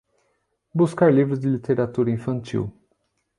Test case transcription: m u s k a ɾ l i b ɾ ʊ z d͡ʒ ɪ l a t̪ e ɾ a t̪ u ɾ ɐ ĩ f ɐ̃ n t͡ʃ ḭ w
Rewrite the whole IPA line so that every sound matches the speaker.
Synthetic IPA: b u s k a ɾ l i v ɾ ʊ z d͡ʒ ɪ l i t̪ e ɾ a t̪ u ɾ ɐ ĩ f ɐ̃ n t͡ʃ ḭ w